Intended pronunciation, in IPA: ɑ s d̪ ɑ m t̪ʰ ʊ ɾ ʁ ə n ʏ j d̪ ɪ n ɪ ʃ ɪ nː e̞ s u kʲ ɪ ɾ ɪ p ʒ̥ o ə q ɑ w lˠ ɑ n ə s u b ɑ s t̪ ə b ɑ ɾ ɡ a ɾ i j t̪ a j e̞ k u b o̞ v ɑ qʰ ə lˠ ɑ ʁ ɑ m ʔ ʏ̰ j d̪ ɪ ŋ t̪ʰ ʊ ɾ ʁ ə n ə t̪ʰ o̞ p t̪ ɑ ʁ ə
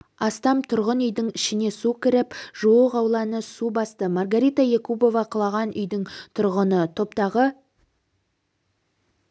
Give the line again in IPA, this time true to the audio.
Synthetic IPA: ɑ s t̪ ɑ m t̪ʰ ʊ ɾ ʁ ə n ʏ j d̪ ɪ ŋ ɪ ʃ ɪ n e̞ s u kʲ ɪ ɾ ɪ p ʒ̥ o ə q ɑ w lˠ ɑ n ə s u b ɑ s t̪ ə m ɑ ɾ ɡ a ɾ i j t̪ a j e̞ k u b o̞ v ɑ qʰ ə lˠ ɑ ʁ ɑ n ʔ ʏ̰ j d̪ ɪ ŋ t̪ʰ ʊ ɾ ʁ ə n ə t̪ʰ o̞ p t̪ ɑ ʁ ə

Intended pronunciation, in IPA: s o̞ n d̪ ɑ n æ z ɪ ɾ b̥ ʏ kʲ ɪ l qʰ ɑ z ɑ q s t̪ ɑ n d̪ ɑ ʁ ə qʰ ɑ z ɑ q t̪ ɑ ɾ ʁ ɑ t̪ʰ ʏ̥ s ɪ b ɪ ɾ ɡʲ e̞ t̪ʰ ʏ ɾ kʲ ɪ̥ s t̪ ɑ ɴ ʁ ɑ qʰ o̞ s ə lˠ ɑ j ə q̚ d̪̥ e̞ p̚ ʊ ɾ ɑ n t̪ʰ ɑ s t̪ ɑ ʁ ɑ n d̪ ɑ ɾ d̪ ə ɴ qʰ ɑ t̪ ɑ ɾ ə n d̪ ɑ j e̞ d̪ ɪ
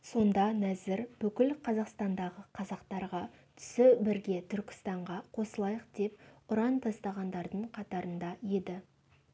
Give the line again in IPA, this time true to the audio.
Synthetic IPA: s o̞ n d̪ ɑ n æ z ɪ ɾ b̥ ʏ kʲ ɪ l qʰ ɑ z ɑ q s t̪ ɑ n d̪ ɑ ʁ ə qʰ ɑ z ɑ q t̪ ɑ ɾ ʁ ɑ t̪ʰ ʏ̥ s ɪ b ɪ ɾ ɡʲ e̞ t̪ʰ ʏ ɾ kʲ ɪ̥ s t̪ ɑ ɴ ʁ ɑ qʰ o̞ s ə lˠ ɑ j ə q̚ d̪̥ e̞ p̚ ʊ ɾ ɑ n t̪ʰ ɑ s t̪ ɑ ʁ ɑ n d̪ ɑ ɾ d̪ ə ɴ qʰ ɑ t̪ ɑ ɾ ə n d̪ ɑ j e̞ d̪ ɪ

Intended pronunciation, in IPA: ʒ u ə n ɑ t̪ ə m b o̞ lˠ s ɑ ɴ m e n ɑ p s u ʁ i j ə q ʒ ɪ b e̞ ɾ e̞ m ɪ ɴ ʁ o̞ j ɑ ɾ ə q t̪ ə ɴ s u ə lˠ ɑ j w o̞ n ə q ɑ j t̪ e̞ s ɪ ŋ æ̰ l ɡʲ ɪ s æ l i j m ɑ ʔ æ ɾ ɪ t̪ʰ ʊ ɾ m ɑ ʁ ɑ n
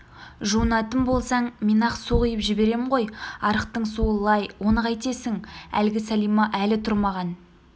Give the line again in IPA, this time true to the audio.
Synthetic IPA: ʒ u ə n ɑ t̪ ə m b o̞ lˠ s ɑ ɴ m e n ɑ q s u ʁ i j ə p ʒ ɪ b e̞ ɾ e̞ m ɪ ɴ ʁ o̞ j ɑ ɾ ə q t̪ ə ɴ s u ə lˠ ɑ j w o̞ n ə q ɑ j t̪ e̞ s ɪ ŋ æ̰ l ɡʲ ɪ s æ l i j m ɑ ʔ æ l ɪ t̪ʰ ʊ ɾ m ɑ ʁ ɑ n

